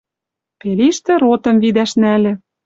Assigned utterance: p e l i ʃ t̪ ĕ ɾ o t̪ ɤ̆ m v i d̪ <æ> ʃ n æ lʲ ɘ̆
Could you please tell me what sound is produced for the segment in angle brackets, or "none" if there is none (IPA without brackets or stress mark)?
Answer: æ